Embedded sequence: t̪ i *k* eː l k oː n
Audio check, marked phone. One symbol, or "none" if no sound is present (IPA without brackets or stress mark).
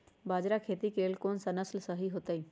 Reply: k